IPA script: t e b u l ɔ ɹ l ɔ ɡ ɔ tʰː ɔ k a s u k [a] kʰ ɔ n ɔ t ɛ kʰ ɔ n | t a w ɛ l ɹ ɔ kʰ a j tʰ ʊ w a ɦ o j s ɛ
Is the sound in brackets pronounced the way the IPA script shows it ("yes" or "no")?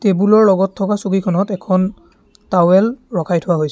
no